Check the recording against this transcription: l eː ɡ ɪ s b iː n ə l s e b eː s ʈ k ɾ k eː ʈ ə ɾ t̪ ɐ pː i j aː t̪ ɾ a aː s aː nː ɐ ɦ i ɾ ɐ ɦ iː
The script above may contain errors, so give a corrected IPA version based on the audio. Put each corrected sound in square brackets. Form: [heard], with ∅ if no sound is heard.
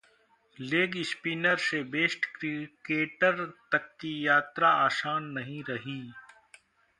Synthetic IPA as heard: l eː ɡ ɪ s [p] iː n ə [ɾ] s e b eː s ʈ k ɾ k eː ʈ ə ɾ t̪ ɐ [kː] i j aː t̪ ɾ a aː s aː nː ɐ ɦ [ĩ] ɾ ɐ ɦ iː